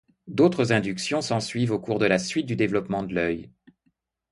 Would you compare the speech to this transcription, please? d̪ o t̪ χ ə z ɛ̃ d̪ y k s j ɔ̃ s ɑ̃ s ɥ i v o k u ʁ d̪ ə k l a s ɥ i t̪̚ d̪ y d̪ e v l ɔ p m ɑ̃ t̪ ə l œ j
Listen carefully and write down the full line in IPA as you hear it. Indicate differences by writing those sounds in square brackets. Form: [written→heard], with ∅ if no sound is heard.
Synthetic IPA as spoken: d̪ o t̪ χ ə z ɛ̃ d̪ y k s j ɔ̃ s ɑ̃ s ɥ i v o k u ʁ d̪ ə [k→∅] l a s ɥ i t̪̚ d̪ y d̪ e v l ɔ p m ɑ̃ [t̪→d̪] ə l œ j